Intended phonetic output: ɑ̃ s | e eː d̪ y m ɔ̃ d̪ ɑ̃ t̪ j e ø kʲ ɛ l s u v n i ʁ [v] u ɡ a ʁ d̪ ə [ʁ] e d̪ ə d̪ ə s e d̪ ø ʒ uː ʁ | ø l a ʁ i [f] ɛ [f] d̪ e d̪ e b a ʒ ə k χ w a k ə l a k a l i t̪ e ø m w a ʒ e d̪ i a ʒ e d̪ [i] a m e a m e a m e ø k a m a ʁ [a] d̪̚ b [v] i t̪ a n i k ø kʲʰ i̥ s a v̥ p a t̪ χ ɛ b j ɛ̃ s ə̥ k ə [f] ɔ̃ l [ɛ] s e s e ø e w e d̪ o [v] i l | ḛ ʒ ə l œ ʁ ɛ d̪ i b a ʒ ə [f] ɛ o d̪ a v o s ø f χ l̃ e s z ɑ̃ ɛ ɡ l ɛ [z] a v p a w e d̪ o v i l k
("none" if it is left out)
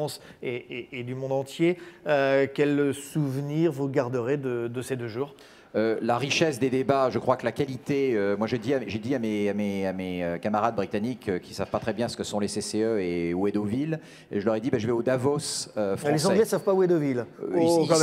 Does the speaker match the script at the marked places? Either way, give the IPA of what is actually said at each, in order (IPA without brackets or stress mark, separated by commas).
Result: v, ʁ, ʃ, s, i, a, ʁ, s, e, v, v, s